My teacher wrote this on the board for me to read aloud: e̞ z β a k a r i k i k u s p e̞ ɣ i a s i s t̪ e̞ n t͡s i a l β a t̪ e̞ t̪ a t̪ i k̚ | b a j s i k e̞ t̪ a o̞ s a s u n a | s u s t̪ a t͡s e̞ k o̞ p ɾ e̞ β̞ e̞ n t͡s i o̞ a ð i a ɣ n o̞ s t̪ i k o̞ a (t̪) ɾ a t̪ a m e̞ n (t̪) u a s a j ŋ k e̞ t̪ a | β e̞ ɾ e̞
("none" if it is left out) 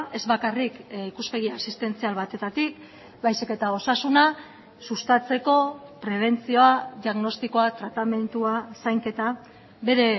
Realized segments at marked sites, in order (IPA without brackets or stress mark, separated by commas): t̪, t̪